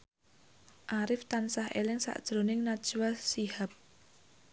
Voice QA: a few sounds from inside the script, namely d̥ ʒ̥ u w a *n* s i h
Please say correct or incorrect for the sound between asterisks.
incorrect